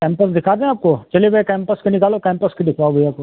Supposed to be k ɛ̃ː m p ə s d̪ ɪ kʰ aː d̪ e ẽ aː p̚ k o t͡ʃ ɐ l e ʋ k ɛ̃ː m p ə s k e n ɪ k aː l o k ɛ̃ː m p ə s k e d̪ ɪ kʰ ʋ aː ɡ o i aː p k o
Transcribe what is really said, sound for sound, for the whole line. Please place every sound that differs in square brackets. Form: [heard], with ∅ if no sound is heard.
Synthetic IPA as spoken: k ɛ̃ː m p ə s d̪ ɪ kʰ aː d̪ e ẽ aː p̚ k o t͡ʃ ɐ l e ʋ k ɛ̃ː m p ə s k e n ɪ k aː l o k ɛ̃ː m p ə s k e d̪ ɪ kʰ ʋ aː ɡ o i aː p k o